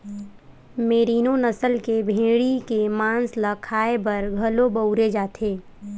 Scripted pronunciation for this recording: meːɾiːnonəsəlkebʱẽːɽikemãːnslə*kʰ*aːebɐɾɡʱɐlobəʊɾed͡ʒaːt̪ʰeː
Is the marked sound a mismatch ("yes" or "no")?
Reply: no